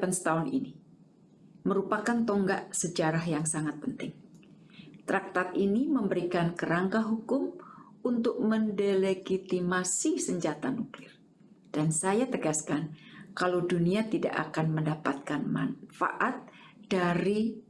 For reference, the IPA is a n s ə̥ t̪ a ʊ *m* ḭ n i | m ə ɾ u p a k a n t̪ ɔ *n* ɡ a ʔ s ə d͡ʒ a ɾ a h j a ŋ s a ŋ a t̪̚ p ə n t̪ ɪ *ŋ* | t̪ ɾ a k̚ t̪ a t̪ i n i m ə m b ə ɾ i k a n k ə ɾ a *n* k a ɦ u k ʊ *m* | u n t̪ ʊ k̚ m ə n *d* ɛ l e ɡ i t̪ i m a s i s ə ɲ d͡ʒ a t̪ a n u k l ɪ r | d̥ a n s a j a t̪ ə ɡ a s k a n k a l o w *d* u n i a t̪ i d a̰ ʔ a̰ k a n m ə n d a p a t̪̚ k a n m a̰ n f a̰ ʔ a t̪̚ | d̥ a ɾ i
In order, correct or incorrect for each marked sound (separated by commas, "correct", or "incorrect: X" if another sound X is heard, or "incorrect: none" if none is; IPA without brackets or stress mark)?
incorrect: n, incorrect: ŋ, correct, incorrect: ŋ, correct, correct, correct